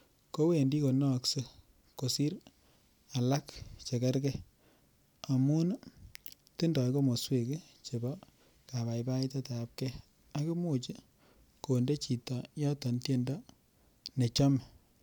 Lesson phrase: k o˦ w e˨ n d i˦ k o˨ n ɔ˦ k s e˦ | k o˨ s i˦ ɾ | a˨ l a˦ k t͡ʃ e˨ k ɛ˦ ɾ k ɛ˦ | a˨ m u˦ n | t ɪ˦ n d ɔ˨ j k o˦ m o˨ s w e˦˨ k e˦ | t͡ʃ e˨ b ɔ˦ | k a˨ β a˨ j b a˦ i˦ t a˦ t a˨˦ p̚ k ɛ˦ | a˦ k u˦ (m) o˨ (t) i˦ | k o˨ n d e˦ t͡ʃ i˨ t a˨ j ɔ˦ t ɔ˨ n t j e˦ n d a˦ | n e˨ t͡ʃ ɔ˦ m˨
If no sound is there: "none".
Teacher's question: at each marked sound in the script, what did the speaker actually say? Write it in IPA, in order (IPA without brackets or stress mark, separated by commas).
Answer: m, t͡ʃ